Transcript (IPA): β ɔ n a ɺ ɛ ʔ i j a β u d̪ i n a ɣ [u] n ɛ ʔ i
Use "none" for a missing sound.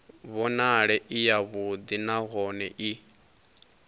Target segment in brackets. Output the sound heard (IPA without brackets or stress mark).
ɔ